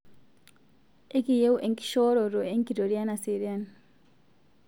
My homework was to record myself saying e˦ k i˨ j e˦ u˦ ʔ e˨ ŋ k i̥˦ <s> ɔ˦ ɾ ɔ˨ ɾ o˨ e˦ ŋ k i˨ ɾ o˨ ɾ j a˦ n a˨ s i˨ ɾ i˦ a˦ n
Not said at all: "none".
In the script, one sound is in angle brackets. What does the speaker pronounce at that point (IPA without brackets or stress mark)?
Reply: ʃ